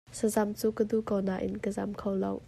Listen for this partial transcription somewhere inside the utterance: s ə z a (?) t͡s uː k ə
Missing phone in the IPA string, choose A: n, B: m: B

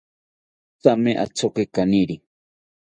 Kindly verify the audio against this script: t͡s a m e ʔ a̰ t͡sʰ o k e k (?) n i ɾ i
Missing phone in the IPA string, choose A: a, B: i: A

